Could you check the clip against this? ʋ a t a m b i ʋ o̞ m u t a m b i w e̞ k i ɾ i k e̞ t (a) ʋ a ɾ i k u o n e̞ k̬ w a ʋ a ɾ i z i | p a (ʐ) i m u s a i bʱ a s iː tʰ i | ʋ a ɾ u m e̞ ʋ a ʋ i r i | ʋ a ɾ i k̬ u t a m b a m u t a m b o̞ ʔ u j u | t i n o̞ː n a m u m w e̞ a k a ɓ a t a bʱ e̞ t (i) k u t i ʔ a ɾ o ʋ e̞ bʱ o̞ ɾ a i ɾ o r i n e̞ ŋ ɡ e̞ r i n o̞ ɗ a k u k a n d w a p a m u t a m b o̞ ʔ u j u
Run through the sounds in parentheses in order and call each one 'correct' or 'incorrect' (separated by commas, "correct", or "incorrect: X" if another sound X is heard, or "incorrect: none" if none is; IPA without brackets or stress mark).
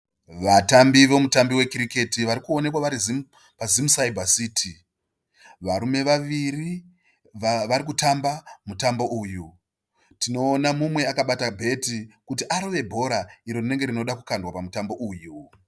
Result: incorrect: i, incorrect: z, correct